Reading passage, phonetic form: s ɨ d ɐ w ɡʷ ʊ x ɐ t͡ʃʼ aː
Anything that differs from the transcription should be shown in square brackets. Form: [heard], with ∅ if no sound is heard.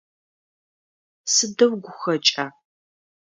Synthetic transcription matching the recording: s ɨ d ɐ w ɡʷ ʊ x ɐ t͡ʃʼ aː